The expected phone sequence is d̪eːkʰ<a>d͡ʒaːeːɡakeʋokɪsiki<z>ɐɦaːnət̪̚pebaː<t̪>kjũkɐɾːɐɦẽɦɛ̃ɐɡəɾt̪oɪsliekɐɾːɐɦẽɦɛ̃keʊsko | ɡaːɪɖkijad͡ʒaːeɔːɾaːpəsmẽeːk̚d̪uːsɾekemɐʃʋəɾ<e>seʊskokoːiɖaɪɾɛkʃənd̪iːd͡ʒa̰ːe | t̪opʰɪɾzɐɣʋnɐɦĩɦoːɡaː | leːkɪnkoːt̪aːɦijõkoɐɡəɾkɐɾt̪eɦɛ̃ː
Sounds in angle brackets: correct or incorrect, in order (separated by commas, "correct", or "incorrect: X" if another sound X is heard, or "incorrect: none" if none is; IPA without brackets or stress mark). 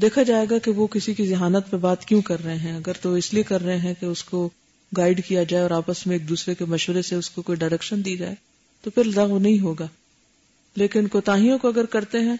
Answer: correct, correct, correct, correct